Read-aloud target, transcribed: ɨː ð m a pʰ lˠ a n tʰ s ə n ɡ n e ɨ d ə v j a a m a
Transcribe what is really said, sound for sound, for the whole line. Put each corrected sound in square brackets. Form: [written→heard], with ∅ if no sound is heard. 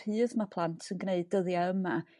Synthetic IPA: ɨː ð m a pʰ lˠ a n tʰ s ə n ɡ n e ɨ d ə [v→ð] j a [a→ə] m a